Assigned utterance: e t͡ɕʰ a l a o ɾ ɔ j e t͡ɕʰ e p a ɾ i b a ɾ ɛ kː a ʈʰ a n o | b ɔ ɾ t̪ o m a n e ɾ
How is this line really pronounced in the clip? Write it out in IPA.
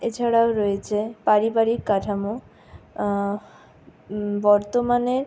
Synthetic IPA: e t͡ɕʰ a ɽ a o ɾ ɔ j e t͡ɕʰ e p a ɾ i b a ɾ i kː a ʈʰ a m o | b ɔ ɾ t̪ o m a n e ɾ